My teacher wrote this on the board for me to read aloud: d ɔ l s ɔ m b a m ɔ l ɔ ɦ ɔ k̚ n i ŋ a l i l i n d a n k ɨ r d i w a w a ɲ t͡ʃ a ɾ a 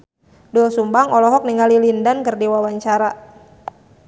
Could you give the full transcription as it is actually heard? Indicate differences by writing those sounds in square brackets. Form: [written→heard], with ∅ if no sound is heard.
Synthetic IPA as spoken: d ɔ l s [ɔ→u] m b a [m→ŋ] ɔ l ɔ ɦ ɔ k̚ n i ŋ a l i l i n d a n k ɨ r d i w a w a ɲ t͡ʃ a ɾ a